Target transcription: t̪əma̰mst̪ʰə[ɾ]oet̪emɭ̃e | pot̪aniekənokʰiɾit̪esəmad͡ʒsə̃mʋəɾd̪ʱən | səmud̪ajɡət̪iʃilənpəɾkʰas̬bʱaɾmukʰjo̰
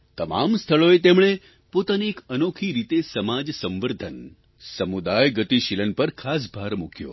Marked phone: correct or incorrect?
incorrect